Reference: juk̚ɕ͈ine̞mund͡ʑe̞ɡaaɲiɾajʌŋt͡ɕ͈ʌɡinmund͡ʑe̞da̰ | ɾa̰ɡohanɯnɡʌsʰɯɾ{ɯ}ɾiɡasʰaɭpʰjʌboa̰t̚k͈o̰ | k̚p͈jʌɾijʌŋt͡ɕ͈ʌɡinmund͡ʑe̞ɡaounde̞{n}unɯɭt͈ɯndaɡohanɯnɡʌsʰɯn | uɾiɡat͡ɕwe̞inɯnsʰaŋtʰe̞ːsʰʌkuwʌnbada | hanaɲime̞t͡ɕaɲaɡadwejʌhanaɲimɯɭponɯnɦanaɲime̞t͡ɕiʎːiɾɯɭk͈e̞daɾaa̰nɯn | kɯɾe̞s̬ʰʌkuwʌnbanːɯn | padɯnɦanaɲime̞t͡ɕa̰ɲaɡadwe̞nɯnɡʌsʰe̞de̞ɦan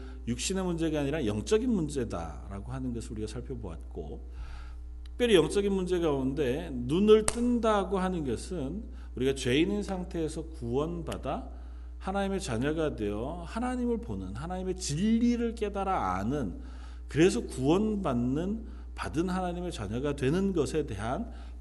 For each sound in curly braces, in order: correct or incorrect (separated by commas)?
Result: incorrect, correct